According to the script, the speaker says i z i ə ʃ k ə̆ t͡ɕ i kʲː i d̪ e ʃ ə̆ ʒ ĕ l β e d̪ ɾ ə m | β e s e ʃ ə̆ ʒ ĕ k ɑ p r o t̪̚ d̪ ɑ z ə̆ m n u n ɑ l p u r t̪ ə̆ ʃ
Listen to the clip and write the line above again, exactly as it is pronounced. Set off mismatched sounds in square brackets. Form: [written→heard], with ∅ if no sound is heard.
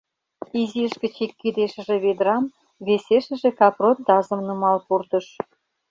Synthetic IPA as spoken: i z i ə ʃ k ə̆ t͡ɕ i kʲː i d̪ e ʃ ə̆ ʒ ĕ [l→∅] β e d̪ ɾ [ə→ɑ] m | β e s e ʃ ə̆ ʒ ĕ k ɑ p r o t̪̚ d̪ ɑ z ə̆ m n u [n→m] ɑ l p u r t̪ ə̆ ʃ